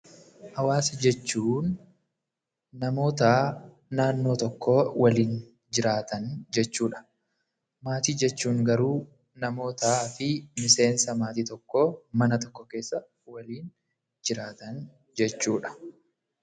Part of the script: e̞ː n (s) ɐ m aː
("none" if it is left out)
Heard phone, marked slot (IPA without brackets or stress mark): s